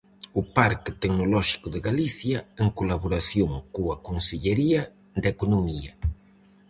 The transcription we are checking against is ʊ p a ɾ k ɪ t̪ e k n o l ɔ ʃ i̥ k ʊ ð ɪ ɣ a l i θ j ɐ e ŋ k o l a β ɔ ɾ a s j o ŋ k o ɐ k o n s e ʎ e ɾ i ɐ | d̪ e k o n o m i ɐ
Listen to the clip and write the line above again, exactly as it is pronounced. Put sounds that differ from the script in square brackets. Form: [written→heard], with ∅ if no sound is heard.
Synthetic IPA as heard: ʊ p a ɾ k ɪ t̪ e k n o l ɔ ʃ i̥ k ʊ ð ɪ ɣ a l i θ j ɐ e ŋ k o l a β [ɔ→o] ɾ a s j o ŋ k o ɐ k o n s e ʎ e ɾ i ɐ | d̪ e k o n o m i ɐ